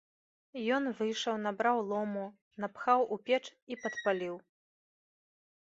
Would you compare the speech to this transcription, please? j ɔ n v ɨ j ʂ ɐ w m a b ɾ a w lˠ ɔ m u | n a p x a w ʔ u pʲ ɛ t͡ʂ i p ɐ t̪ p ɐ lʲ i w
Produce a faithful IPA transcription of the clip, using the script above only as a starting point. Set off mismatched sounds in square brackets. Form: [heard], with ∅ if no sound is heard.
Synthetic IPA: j ɔ n v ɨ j ʂ ɐ w [n] a b ɾ a w lˠ ɔ m u | n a p x a w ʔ u pʲ ɛ t͡ʂ i p ɐ t̪ p [a] lʲ i w

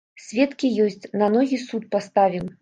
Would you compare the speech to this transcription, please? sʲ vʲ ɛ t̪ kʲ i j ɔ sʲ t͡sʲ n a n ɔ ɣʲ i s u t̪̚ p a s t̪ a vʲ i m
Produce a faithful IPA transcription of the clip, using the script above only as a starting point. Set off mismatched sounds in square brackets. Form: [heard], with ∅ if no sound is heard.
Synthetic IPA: sʲ vʲ ɛ t̪ kʲ i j ɔ sʲ t͡sʲ n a n ɔ ɣʲ i s u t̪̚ p a s t̪ a vʲ i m

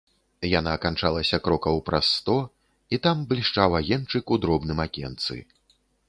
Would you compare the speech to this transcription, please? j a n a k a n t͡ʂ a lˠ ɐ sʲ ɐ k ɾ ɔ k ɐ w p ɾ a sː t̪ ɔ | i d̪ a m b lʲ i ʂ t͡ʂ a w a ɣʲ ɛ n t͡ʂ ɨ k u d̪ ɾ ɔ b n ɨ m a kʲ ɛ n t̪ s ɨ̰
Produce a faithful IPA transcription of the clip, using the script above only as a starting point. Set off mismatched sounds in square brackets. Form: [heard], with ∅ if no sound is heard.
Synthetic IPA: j a n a k a n t͡ʂ a lˠ ɐ sʲ ɐ k ɾ ɔ k ɐ w p ɾ a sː t̪ ɔ | i [t̪] a m b lʲ i ʂ t͡ʂ a w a ɣʲ ɛ n t͡ʂ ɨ k u d̪ ɾ ɔ b n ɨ m a kʲ ɛ n t̪ s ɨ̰

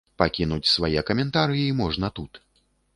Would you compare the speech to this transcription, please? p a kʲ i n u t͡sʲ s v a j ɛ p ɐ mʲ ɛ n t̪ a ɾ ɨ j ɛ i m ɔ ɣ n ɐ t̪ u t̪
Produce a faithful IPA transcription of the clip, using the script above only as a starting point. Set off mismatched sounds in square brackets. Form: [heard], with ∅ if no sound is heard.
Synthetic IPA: p a kʲ i n u t͡sʲ s v a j ɛ [k] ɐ mʲ ɛ n t̪ a ɾ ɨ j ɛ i m ɔ [ʐ] n ɐ t̪ u t̪

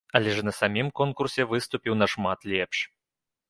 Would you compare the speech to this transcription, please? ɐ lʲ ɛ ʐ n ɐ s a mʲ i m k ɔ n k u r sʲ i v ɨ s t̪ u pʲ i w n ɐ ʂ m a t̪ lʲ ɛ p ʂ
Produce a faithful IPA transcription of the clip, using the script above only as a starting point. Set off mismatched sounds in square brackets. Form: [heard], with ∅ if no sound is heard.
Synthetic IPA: ɐ lʲ ɛ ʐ n ɐ s a mʲ i m k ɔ n k u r sʲ [ɛ] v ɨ s t̪ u pʲ i w n ɐ ʂ m a t̪ lʲ ɛ p ʂ

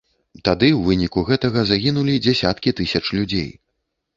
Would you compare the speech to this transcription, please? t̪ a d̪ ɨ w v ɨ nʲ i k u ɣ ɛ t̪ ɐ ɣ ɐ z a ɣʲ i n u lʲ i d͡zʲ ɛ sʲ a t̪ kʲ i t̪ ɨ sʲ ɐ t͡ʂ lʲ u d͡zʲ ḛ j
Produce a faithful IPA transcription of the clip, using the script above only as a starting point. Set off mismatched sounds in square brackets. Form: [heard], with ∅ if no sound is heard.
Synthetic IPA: t̪ a d̪ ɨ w v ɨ nʲ i k u ɣ ɛ t̪ ɐ ɣ ɐ z a ɣʲ i n u lʲ i d͡zʲ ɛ sʲ a t̪ kʲ i t̪ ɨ sʲ ɐ t͡ʂ lʲ u d͡zʲ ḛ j

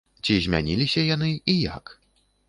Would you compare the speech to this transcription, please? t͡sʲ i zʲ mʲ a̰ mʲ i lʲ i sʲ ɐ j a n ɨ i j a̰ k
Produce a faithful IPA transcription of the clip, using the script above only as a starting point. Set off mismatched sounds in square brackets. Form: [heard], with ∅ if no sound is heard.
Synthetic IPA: t͡sʲ i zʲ mʲ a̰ [nʲ] i lʲ i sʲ ɐ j a n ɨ i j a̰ k

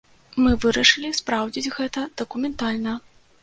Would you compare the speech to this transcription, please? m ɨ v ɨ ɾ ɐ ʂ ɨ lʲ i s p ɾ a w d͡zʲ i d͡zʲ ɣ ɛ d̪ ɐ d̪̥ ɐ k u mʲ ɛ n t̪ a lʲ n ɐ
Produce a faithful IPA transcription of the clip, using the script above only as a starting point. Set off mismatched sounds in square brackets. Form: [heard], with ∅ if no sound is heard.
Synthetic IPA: m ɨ v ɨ ɾ ɐ ʂ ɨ lʲ i s p ɾ a w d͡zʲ i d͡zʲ ɣ ɛ [t̪] ɐ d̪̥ ɐ k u mʲ ɛ n t̪ a lʲ n ɐ

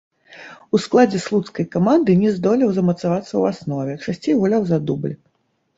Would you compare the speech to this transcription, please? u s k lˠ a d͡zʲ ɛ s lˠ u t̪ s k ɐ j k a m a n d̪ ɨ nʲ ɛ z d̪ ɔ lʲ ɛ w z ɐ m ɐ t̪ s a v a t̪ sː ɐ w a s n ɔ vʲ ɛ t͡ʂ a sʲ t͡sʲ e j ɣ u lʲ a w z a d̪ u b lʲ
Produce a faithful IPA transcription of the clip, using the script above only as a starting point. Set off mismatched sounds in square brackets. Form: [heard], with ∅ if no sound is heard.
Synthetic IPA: u s k lˠ a d͡zʲ ɛ s lˠ u t̪ s k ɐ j k a m a n d̪ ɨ nʲ ɛ z d̪ ɔ lʲ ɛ w z ɐ m ɐ t̪ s a v a t̪ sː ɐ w a s n ɔ vʲ ɛ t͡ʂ a sʲ t͡sʲ e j ɣ u lʲ a w z a d̪ u b lʲ

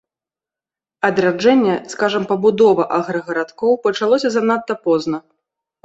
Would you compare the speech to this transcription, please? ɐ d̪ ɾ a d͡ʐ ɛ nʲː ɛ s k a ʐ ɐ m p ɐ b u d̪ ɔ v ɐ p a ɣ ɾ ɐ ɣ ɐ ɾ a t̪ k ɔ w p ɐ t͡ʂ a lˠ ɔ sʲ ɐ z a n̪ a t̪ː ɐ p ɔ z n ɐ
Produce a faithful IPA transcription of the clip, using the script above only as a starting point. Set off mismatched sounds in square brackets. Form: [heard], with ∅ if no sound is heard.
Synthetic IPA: ɐ d̪ ɾ a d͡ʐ ɛ nʲː ɛ s k a ʐ ɐ m p ɐ b u d̪ ɔ v ɐ [ʔ] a ɣ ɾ ɐ ɣ ɐ ɾ a t̪ k ɔ w p ɐ t͡ʂ a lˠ ɔ sʲ ɐ z a n̪ a t̪ː ɐ p ɔ z n ɐ

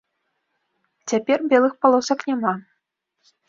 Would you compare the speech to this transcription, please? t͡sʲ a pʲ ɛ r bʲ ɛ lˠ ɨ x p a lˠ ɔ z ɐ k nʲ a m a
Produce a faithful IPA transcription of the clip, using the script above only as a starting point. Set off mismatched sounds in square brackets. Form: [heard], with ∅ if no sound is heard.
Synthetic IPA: t͡sʲ a pʲ ɛ r bʲ ɛ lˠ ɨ x p a lˠ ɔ [s] ɐ k nʲ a m a

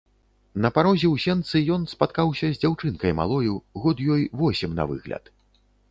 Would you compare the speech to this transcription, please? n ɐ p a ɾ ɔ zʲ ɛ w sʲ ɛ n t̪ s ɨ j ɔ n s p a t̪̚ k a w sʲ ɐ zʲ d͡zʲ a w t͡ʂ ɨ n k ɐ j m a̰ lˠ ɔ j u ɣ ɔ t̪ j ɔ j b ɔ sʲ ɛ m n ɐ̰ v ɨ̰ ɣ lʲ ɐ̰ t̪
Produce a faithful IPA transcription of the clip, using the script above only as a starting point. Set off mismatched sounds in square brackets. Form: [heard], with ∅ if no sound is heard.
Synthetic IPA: n ɐ p a ɾ ɔ zʲ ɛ w sʲ ɛ n t̪ s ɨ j ɔ n s p a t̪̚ k a w sʲ ɐ zʲ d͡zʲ a w t͡ʂ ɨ n k ɐ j m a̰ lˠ ɔ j u ɣ ɔ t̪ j ɔ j [v] ɔ sʲ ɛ m n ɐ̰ v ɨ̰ ɣ lʲ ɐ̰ t̪

